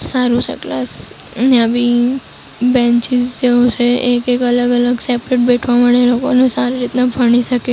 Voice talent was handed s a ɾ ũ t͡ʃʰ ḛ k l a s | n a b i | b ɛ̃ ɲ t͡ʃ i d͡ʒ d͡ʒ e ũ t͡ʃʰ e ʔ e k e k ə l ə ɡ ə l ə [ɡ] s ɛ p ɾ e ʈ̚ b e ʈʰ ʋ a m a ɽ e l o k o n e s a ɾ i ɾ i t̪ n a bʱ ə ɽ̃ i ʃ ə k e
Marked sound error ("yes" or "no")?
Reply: no